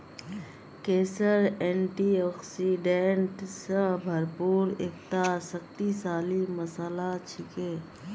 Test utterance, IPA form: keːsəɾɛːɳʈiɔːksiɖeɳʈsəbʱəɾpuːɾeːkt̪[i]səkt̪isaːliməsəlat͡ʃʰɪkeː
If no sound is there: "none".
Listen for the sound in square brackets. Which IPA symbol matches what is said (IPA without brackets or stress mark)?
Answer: a